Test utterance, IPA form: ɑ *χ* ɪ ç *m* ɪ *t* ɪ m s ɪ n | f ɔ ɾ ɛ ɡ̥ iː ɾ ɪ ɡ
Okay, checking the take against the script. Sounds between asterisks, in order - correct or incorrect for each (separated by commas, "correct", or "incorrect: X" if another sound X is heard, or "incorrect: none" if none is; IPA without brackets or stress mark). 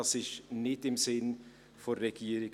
incorrect: s, incorrect: n, correct